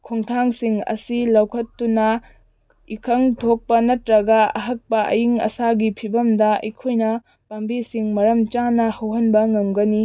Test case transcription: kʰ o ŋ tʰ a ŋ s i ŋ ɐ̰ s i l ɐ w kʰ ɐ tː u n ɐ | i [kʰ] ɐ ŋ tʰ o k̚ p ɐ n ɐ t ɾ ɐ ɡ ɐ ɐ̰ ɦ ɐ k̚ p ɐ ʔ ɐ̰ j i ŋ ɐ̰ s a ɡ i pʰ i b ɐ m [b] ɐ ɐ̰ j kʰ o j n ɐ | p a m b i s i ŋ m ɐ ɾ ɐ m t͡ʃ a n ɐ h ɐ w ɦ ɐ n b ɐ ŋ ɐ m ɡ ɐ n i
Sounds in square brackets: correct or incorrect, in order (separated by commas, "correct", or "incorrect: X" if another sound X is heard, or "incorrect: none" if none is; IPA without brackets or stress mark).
correct, incorrect: d